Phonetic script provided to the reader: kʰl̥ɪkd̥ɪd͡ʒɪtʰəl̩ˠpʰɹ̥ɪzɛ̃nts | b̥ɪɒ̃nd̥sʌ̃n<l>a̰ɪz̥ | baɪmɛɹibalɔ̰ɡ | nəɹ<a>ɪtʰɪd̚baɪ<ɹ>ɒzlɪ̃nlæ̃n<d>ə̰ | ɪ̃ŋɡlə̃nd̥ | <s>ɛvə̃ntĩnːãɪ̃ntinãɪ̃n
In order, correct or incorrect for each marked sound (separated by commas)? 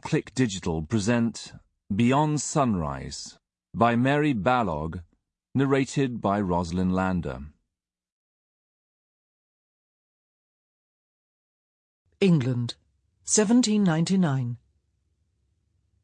incorrect, incorrect, correct, correct, correct